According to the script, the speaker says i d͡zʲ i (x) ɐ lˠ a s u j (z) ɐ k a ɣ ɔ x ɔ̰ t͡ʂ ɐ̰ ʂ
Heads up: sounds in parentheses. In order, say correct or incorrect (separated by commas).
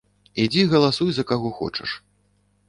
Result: incorrect, correct